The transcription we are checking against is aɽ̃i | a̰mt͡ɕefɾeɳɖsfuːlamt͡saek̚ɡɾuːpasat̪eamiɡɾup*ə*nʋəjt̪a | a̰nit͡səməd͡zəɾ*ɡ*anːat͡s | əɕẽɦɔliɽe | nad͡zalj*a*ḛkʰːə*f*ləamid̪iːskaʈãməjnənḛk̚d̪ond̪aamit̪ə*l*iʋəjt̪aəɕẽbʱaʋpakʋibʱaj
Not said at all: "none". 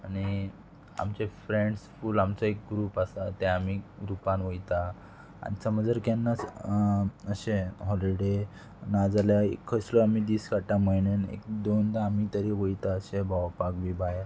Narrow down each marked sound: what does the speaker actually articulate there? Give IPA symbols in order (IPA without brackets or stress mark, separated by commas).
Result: a, k, a, s, ɾ